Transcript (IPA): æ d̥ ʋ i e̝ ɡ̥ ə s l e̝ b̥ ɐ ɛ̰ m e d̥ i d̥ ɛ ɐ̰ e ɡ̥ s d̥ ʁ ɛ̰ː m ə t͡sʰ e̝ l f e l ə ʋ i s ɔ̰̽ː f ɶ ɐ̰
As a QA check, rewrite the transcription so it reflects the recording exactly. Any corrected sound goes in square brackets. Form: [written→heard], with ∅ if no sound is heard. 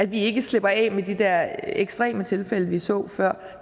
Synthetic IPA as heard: æ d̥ ʋ i e̝ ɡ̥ ə s l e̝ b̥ ɐ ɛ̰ m e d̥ i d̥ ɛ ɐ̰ e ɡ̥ s d̥ ʁ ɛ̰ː m ə t͡sʰ e̝ l f e l ə ʋ i s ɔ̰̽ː f ɶ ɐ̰

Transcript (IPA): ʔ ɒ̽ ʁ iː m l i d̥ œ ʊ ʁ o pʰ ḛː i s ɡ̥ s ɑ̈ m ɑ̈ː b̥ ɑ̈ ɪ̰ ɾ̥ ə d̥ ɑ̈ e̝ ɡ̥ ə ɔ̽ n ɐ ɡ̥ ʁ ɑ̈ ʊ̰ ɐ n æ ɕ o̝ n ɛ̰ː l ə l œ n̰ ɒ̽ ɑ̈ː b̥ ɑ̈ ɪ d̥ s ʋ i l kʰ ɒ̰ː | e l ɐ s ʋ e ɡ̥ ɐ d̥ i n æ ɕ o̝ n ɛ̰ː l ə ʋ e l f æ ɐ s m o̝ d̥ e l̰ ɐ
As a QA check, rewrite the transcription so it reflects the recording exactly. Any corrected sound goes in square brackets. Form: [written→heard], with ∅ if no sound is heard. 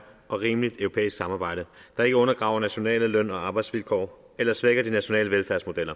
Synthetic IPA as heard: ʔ ɒ̽ ʁ iː m l i d̥ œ ʊ ʁ o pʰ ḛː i s ɡ̥ s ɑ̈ m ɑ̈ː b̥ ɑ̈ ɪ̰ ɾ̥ ə d̥ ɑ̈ e̝ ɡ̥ ə ɔ̽ n ɐ ɡ̥ ʁ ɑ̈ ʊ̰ ɐ n æ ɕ o̝ n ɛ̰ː l ə l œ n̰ ɒ̽ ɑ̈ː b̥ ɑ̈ ɪ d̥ s ʋ i l kʰ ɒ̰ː | e l ɐ s ʋ e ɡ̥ ɐ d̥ i n æ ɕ o̝ n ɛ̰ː l ə ʋ e l f æ ɐ s m o̝ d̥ e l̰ ɐ

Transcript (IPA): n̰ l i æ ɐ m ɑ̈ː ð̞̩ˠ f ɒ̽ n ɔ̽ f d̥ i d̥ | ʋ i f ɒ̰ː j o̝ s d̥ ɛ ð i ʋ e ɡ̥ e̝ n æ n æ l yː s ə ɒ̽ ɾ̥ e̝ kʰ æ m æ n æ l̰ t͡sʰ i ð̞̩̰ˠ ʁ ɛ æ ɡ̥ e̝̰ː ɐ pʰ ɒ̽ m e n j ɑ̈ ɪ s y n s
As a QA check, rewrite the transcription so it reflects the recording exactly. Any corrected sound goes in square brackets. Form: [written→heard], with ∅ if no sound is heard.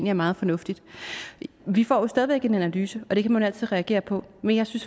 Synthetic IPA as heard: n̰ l i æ ɐ m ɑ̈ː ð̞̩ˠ f ɒ̽ n ɔ̽ f d̥ i d̥ | ʋ i f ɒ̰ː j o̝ s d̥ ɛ ð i ʋ e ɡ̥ e̝ n æ n æ l yː s ə ɒ̽ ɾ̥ e̝ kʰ æ m æ n æ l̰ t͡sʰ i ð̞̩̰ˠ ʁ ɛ æ ɡ̥ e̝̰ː ɐ pʰ ɒ̽ m e n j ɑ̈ ɪ s y n s

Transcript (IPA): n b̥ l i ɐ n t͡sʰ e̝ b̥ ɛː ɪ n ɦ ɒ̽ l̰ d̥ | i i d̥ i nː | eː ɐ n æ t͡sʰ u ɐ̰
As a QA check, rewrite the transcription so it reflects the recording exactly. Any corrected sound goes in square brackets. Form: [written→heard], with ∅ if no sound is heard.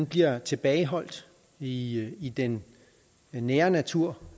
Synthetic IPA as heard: n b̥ l i ɐ [n→∅] t͡sʰ e̝ b̥ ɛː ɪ [n→∅] ɦ ɒ̽ l̰ d̥ | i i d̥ [i→e] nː | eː ɐ n æ t͡sʰ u ɐ̰

